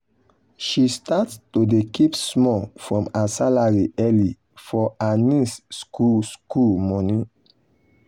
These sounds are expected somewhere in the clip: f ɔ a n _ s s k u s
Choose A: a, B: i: B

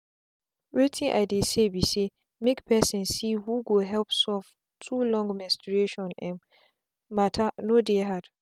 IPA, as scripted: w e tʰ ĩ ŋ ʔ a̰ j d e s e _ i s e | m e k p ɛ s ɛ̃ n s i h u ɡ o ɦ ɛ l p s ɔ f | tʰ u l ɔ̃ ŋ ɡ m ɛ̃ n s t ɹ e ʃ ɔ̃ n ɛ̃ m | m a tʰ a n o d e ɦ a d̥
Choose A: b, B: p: A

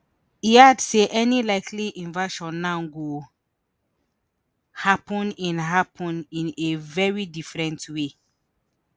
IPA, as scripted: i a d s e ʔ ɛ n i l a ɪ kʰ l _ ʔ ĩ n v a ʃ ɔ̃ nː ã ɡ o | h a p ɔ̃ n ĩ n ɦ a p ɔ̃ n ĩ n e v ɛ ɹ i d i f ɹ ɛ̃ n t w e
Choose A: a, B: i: B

